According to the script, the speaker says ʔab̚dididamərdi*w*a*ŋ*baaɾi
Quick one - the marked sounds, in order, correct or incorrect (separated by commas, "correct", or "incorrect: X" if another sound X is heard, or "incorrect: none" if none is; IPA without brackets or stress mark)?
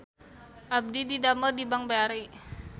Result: incorrect: b, correct